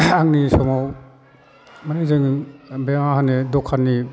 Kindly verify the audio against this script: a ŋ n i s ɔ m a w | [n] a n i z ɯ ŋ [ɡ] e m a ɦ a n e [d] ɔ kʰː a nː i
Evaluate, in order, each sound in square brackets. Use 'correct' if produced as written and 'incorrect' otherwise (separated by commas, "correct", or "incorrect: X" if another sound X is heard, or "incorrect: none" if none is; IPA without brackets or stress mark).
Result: incorrect: m, incorrect: b, correct